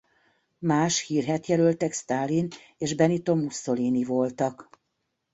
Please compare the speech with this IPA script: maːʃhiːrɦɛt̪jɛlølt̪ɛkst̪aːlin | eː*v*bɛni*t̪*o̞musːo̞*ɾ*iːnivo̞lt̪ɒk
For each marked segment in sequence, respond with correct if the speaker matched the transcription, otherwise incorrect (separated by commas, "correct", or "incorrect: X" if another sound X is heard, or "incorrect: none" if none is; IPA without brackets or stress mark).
incorrect: ʒ, correct, incorrect: l